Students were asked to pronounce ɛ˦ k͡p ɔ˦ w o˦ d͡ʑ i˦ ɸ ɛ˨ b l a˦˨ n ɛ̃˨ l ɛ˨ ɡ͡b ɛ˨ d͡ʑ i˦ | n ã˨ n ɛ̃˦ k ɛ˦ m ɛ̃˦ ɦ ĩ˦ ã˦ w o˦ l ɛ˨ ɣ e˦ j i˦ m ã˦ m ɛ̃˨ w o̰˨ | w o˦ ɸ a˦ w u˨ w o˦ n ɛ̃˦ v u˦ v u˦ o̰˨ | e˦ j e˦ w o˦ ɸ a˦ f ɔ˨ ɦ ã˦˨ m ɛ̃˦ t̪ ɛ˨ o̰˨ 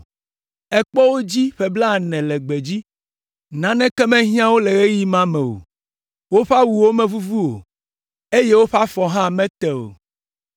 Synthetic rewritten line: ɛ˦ k͡p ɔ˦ w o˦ d͡ʑ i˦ ɸ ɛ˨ b l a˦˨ n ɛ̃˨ l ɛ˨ ɡ͡b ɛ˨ d͡ʑ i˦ | n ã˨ n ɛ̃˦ k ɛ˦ m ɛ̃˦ ɦ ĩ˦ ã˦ w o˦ l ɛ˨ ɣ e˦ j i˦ m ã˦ m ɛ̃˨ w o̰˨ | w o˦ ɸ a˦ w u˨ w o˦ m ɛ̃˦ v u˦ v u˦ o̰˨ | e˦ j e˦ w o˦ ɸ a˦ f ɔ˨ ɦ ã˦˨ m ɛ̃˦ t̪ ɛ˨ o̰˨